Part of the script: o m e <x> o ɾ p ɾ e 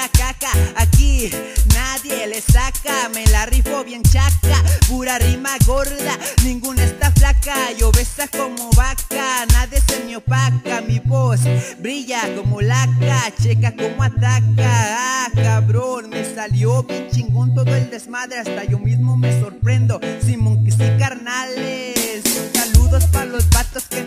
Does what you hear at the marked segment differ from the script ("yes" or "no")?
yes